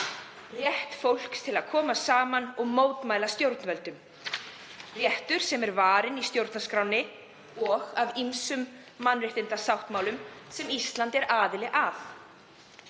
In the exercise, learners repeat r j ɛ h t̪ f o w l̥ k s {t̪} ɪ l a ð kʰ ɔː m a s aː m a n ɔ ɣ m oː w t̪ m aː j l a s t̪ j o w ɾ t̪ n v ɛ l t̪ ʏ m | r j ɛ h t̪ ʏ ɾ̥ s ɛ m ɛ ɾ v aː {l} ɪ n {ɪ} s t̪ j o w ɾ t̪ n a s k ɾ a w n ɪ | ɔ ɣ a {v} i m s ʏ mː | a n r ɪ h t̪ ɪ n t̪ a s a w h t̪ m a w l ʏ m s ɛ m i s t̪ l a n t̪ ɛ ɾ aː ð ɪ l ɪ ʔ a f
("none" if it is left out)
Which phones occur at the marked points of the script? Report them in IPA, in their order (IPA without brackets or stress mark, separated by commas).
t̪ʰ, ɾ, i, v